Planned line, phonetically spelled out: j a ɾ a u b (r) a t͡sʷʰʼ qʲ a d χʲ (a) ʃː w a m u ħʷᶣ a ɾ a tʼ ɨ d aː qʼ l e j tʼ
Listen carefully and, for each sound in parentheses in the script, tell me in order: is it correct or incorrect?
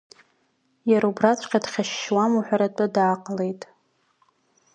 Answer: correct, correct

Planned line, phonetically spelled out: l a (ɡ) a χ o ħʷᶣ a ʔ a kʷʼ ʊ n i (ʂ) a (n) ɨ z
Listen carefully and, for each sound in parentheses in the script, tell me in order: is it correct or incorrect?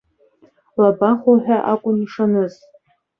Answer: incorrect: b, correct, correct

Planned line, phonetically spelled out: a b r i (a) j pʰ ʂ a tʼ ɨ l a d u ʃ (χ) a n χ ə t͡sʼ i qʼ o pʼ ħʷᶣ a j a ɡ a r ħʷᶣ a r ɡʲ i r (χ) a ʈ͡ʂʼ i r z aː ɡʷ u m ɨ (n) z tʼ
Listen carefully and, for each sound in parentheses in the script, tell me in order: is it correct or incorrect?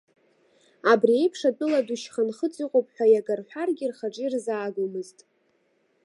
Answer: incorrect: e, correct, correct, incorrect: none

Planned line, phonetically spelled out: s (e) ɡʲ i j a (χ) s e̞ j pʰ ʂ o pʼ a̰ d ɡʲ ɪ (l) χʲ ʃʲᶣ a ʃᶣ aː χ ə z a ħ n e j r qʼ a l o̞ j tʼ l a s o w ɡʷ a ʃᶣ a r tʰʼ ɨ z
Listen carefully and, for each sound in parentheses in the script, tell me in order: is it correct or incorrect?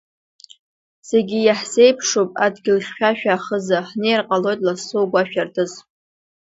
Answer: correct, incorrect: ħ, correct

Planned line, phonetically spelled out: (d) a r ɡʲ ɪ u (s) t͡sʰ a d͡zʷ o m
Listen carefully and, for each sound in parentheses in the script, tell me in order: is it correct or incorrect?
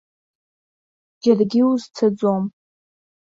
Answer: incorrect: d͡ʒ, incorrect: z

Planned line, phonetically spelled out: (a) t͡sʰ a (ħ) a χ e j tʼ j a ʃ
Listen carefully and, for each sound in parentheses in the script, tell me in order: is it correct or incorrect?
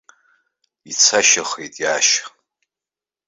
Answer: incorrect: i, incorrect: ʃ

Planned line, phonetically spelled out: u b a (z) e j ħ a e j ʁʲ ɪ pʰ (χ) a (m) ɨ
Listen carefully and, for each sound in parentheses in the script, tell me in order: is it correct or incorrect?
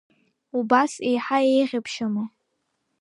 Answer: incorrect: s, incorrect: ʃ, correct

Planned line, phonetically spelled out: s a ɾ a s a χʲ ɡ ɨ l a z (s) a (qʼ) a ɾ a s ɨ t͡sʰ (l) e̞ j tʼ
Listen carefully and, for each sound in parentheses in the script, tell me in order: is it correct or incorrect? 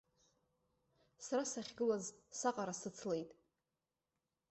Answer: correct, correct, correct

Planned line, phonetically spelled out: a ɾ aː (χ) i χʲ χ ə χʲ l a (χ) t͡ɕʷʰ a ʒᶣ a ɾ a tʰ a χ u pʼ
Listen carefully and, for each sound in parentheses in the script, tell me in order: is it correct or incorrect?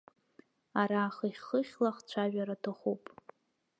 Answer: correct, correct

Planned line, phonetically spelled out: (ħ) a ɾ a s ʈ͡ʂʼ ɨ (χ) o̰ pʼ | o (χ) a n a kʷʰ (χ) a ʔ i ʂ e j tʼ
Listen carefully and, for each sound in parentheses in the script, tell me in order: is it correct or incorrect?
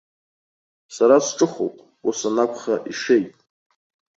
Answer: incorrect: s, correct, incorrect: s, correct

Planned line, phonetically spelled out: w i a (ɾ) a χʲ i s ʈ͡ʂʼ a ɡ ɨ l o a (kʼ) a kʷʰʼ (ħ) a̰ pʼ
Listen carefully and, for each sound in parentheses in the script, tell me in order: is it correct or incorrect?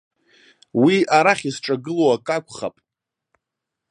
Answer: correct, correct, incorrect: χ

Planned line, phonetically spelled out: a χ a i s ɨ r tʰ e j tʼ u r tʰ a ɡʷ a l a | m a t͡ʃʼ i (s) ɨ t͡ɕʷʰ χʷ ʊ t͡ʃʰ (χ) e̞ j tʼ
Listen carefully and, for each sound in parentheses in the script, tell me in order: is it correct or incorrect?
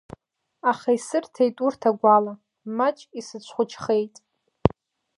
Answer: correct, correct

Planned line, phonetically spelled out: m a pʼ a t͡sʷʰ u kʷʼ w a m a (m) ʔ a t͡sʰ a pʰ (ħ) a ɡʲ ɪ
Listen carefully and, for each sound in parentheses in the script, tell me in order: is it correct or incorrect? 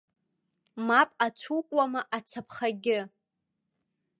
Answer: incorrect: none, incorrect: χ

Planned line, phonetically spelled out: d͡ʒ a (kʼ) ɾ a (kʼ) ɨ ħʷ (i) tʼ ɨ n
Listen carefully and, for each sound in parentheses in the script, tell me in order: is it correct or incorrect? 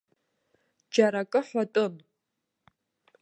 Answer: incorrect: none, correct, incorrect: a

